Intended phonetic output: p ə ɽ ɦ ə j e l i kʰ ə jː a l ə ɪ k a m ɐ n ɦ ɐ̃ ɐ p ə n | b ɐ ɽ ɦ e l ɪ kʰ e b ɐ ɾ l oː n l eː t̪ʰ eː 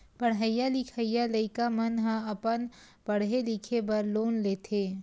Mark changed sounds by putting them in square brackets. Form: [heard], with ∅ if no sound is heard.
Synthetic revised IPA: p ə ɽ ɦ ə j [a] l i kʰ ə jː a l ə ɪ k a m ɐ n ɦ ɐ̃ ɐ p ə n | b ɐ ɽ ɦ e l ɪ kʰ e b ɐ ɾ l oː n l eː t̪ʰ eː